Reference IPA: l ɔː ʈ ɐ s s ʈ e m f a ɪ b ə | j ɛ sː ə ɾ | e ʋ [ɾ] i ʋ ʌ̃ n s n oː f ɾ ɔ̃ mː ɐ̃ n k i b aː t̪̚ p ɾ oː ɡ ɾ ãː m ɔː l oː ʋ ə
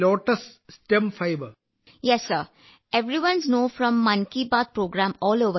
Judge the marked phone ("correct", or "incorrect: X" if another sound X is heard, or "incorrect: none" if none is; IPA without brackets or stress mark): correct